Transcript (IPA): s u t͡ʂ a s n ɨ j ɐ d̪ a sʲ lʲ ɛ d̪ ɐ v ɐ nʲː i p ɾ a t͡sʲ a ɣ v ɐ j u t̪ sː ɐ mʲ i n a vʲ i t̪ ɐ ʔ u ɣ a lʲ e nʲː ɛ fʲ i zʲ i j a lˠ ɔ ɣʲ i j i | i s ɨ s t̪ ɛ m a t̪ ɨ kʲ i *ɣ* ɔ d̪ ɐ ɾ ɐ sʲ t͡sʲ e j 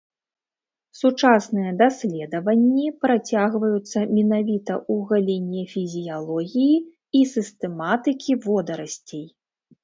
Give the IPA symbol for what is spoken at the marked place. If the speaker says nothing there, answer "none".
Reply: v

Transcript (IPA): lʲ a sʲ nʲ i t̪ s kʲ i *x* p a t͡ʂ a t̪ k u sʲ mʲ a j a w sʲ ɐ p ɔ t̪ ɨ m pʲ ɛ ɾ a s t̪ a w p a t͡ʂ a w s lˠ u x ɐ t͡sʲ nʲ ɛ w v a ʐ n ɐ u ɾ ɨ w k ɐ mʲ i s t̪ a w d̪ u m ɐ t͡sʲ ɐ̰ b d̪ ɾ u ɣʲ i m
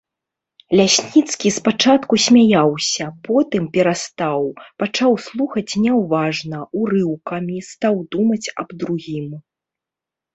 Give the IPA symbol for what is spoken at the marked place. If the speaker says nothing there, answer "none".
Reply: s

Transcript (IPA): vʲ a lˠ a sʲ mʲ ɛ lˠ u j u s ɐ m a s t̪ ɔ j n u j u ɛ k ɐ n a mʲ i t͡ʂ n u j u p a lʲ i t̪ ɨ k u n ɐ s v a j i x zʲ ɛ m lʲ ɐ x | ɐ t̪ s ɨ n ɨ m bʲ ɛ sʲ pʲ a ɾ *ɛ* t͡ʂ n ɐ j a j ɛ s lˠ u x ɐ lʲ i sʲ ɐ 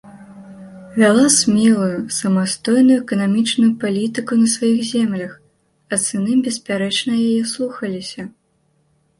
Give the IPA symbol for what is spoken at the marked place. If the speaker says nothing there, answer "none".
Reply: ɛ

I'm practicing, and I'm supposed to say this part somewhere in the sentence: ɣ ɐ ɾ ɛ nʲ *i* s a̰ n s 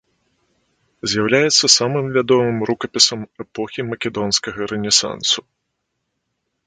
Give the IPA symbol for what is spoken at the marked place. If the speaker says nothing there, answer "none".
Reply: ɛ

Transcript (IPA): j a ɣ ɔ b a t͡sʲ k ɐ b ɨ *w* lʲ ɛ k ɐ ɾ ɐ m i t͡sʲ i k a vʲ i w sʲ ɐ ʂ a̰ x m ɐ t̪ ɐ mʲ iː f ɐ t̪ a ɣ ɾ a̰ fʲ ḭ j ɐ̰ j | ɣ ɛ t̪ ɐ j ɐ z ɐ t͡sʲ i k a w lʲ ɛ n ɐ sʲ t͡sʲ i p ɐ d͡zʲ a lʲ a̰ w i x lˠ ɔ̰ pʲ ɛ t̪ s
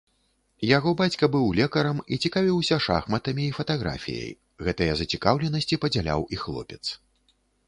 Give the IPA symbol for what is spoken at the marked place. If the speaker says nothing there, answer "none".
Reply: w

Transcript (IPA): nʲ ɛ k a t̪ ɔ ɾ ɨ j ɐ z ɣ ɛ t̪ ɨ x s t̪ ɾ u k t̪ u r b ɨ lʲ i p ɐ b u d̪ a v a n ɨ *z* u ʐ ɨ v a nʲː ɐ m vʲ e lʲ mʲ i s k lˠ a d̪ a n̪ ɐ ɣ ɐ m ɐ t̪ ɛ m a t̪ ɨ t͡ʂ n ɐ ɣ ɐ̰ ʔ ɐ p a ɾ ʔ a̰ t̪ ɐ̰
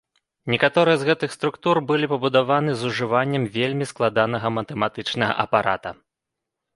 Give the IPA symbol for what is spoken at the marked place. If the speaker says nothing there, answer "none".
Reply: z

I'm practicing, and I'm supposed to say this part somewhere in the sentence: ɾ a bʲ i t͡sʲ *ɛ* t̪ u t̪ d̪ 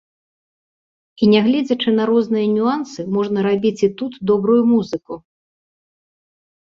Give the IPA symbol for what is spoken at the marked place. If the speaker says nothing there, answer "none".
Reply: i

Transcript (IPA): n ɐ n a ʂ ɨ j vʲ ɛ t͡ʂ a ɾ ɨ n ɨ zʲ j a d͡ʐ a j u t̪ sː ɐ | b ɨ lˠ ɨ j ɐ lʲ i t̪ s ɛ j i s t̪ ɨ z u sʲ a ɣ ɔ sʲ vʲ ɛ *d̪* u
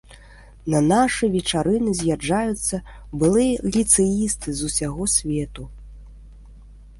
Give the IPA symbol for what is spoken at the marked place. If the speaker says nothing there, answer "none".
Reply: t̪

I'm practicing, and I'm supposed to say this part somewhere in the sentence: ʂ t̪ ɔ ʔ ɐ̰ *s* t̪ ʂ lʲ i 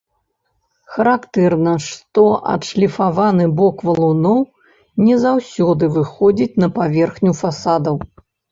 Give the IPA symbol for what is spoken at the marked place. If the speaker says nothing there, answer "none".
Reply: none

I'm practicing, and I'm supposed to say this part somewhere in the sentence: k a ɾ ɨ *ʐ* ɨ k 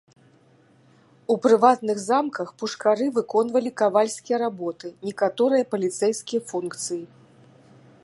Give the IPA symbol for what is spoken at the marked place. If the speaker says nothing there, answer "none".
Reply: v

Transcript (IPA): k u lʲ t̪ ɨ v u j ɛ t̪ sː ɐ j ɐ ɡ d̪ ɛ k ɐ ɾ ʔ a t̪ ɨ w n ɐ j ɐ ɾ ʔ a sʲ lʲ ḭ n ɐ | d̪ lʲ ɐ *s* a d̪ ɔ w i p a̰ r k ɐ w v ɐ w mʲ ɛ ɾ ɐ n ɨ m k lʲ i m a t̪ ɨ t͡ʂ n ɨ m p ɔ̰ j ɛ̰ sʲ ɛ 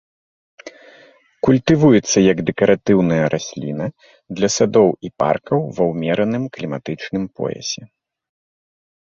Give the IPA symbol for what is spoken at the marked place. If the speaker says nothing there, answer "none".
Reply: s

